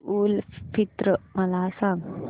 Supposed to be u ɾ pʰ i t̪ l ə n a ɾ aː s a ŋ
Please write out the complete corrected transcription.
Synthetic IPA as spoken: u l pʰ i t̪ ɾ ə m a l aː s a ŋ